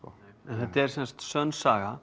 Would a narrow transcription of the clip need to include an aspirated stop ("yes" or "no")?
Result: no